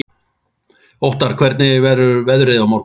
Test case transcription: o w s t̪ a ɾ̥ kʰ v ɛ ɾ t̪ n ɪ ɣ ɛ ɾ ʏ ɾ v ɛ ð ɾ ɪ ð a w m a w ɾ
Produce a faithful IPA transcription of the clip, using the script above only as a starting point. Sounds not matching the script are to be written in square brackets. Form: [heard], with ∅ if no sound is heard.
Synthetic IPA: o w [h] t̪ a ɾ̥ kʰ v ɛ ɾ t̪ n ɪ [v] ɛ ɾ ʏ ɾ v ɛ ð ɾ ɪ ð a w m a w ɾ